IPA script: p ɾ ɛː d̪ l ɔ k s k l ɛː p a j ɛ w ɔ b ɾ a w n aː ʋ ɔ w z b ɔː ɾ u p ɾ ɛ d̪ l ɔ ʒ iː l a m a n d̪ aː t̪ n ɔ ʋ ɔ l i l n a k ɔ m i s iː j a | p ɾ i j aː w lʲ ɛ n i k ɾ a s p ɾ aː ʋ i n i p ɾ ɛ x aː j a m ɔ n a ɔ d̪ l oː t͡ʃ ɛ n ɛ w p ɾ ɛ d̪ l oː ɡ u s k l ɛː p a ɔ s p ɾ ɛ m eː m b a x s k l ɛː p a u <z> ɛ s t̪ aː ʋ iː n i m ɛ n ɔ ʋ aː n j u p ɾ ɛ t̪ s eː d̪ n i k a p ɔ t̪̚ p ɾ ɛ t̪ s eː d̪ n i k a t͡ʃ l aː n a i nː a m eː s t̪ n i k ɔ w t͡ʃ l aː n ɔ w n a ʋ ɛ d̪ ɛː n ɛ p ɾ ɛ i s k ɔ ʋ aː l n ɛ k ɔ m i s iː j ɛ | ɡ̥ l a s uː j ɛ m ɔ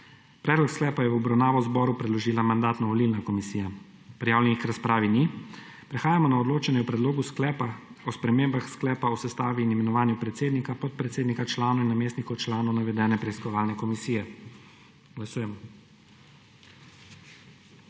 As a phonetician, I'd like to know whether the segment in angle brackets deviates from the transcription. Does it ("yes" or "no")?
yes